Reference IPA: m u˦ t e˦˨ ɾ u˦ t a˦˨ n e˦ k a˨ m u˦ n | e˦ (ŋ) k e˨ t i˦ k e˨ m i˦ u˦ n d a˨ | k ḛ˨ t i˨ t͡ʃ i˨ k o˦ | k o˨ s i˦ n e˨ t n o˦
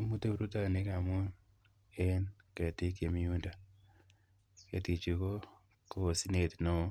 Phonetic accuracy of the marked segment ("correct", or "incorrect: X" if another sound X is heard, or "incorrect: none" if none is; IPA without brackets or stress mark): incorrect: n